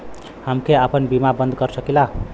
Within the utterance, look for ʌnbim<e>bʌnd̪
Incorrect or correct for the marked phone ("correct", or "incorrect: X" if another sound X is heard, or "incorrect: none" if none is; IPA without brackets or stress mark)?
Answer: incorrect: a